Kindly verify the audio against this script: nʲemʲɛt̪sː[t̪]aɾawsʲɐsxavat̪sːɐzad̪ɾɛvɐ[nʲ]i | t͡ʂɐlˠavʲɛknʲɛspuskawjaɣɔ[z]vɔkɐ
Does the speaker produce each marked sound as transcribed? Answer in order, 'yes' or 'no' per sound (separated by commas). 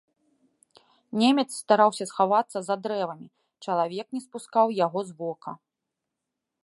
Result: yes, no, yes